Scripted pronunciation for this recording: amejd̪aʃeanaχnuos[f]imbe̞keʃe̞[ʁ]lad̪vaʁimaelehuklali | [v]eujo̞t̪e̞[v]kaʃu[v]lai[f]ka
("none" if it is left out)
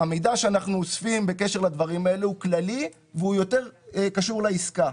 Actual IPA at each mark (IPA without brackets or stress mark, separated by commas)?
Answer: f, ʁ, v, ʁ, ʁ, s